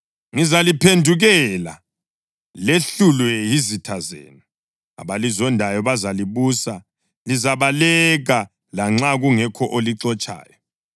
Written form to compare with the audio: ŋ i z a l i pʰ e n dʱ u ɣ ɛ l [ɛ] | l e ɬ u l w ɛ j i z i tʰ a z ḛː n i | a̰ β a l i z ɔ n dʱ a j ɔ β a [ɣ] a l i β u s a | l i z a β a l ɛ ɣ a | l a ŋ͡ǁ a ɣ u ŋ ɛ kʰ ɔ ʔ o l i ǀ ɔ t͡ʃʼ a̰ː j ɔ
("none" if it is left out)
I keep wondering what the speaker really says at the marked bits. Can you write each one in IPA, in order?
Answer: a, z

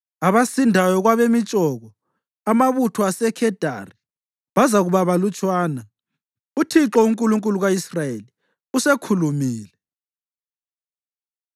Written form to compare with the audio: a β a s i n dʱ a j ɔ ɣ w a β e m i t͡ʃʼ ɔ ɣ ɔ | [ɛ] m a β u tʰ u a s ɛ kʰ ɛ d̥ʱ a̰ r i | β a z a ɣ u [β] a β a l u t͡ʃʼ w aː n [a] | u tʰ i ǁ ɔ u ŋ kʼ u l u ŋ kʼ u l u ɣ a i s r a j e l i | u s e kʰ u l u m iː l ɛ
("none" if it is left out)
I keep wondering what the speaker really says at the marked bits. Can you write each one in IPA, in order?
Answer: a, β, a

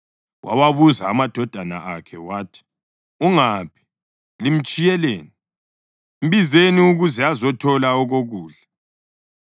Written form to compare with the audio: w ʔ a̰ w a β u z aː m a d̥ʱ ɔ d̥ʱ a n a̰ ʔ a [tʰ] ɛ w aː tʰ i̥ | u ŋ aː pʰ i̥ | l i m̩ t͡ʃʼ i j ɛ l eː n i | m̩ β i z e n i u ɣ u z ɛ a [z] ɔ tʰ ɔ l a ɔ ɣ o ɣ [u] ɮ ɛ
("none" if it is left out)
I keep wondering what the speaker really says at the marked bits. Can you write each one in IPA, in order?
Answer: kʰ, z, uː

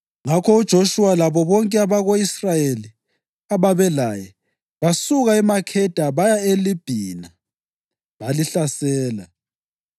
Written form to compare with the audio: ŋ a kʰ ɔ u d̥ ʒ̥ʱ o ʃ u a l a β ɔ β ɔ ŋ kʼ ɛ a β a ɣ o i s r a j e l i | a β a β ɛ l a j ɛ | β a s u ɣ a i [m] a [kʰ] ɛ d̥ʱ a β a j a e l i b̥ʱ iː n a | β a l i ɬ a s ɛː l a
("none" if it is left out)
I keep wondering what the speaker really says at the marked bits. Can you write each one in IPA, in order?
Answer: m, kʰ

